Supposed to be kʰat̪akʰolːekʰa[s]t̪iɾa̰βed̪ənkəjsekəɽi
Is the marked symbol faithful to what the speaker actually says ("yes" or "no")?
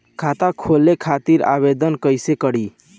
no